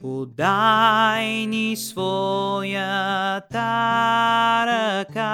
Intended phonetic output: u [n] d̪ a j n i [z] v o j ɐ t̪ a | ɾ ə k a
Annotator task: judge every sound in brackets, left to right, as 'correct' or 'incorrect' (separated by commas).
incorrect, incorrect